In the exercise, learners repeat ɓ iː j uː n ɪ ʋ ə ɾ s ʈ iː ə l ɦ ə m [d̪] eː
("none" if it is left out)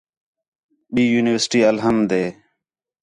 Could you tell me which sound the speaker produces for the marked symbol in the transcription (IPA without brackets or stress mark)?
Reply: d̪